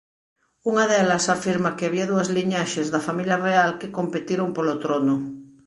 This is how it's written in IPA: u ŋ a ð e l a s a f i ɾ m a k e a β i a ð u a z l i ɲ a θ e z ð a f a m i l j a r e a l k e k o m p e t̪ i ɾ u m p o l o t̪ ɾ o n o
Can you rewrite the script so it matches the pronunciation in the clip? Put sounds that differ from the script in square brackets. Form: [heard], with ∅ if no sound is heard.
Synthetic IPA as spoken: u ŋ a ð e l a s a f i ɾ m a k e a β i a ð u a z l i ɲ a [ʃ] e z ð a f a m i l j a r e a l k e k o m p e t̪ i ɾ [o] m p o l o t̪ ɾ o n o